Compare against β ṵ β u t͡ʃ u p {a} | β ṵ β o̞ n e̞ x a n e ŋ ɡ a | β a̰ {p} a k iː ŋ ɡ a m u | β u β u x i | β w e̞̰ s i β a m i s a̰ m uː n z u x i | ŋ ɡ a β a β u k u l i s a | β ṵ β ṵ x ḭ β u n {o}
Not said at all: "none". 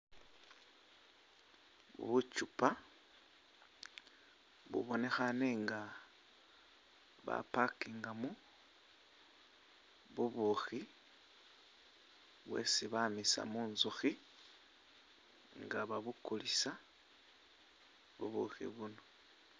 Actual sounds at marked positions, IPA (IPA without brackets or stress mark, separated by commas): a, p, o